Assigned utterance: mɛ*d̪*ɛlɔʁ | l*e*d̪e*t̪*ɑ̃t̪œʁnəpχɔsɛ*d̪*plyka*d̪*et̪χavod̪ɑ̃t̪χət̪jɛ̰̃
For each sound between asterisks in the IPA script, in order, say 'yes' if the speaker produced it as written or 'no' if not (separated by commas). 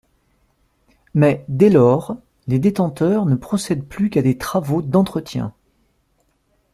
yes, yes, yes, yes, yes